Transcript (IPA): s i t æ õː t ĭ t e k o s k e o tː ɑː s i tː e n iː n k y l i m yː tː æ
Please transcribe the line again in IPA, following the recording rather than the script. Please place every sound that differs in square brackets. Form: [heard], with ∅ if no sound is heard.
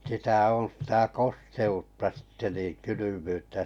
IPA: s i t æ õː [s] ĭ t [æ] k o s [t] e [u] tː [ɑ] s i tː e n iː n k y l [y] m yː tː æ